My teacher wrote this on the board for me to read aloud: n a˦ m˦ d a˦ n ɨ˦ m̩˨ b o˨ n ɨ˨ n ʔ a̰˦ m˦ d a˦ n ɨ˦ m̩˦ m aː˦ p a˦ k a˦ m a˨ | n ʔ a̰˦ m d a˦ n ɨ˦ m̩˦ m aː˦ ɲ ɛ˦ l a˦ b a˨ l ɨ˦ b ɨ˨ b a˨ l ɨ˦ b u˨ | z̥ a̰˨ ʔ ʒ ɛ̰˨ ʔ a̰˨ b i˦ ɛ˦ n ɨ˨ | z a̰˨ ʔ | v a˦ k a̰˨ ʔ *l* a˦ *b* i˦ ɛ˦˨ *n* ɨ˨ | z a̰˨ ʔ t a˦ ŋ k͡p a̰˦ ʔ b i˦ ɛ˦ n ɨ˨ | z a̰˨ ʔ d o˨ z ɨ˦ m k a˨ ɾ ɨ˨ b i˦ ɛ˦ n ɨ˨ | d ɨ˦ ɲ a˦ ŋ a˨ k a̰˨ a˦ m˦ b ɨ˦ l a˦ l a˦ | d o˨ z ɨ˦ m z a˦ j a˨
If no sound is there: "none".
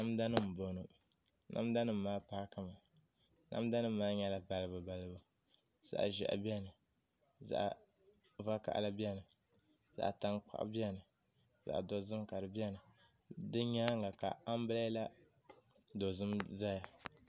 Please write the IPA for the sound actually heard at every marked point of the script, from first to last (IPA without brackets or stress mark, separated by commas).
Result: l, b, n